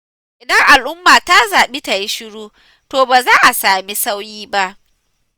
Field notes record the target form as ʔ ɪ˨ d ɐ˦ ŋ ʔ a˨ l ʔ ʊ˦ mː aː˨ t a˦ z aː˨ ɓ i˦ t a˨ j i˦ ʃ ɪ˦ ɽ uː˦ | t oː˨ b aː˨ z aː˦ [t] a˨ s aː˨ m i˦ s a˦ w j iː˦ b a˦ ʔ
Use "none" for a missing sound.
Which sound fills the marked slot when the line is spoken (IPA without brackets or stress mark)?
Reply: ʔ